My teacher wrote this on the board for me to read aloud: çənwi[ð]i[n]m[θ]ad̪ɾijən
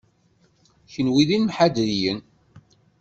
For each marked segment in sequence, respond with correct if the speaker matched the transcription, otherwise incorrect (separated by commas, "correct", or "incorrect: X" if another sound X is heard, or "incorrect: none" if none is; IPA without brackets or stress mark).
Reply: correct, correct, incorrect: ħ